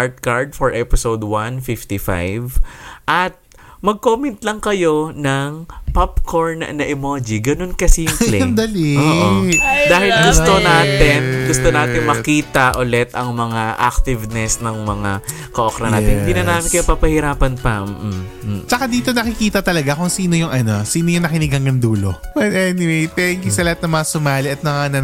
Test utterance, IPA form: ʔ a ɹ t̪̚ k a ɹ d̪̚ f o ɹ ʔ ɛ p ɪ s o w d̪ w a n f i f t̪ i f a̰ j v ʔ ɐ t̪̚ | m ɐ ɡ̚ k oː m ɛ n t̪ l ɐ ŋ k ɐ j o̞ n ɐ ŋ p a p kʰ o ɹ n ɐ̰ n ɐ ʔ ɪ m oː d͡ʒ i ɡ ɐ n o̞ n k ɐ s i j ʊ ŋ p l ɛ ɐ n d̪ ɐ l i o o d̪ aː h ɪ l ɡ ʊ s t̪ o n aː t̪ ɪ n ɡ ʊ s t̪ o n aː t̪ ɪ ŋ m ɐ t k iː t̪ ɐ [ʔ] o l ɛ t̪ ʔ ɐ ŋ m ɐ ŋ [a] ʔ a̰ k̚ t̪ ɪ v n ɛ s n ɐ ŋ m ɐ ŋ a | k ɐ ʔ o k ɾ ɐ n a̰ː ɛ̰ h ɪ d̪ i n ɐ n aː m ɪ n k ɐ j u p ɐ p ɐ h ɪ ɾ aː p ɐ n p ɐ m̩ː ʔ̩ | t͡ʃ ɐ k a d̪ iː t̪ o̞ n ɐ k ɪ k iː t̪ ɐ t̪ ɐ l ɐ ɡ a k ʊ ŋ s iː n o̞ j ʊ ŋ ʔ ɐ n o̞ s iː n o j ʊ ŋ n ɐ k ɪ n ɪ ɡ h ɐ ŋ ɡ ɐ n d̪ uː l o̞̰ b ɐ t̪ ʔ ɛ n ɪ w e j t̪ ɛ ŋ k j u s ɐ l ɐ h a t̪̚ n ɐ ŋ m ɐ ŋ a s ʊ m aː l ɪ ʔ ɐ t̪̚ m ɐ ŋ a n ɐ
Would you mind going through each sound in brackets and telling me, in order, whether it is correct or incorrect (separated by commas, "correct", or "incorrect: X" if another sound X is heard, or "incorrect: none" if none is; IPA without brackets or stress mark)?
correct, correct